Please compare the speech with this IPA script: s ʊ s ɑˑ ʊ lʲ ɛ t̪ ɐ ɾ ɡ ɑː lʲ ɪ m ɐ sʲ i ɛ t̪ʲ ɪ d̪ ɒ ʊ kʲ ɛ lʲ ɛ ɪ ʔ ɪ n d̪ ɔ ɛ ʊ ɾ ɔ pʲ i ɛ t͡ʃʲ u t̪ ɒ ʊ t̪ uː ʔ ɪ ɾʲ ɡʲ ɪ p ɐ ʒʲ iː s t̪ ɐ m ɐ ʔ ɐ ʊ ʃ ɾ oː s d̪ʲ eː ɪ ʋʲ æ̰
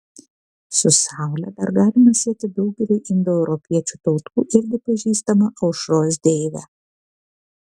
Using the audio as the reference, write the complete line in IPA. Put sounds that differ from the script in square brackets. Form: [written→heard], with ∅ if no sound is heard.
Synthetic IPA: s ʊ s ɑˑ ʊ lʲ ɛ [t̪→d̪] ɐ ɾ ɡ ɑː lʲ ɪ m ɐ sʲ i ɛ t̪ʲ ɪ d̪ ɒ ʊ [kʲ→ɡʲ] ɛ lʲ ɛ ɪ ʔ ɪ n d̪ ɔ ɛ ʊ ɾ ɔ pʲ i ɛ t͡ʃʲ u t̪ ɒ ʊ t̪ uː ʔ ɪ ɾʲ ɡʲ ɪ p ɐ ʒʲ iː s t̪ ɐ m ɐ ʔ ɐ ʊ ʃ ɾ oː s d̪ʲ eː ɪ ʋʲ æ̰